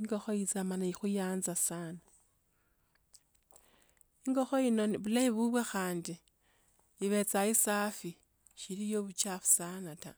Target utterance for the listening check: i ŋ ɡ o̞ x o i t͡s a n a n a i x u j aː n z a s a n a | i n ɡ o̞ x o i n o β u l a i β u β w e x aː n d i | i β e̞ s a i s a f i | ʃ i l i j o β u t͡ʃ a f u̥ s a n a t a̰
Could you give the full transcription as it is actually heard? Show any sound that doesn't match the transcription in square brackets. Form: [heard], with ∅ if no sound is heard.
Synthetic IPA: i ŋ ɡ o̞ x o i t͡s a [m] a n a i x u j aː n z a s a n a | i [ŋ] ɡ o̞ x o i n o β u l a i β u β w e x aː n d i | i β e̞ [t͡s] a i s a f i | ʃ i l i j o β u t͡ʃ a f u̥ s a n a t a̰